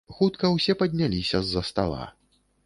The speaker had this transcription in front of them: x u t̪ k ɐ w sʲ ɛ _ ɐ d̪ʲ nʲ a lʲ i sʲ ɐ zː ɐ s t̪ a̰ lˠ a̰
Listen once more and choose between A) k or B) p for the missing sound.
B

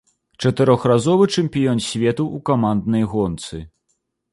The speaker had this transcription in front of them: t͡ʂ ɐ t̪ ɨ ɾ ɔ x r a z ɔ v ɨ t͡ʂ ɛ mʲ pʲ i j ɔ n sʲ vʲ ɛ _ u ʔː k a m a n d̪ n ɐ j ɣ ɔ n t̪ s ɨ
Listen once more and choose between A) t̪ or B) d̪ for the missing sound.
A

